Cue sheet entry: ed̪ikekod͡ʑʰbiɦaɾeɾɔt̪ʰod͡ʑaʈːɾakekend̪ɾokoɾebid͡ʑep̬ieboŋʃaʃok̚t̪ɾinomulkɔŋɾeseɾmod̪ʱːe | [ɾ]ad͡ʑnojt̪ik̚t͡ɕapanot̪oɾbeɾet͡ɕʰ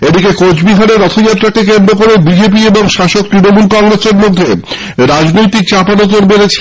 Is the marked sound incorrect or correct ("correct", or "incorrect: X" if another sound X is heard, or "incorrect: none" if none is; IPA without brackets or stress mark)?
correct